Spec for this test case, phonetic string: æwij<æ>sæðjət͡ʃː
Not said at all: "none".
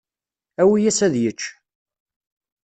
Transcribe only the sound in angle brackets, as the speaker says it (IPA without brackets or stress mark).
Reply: æ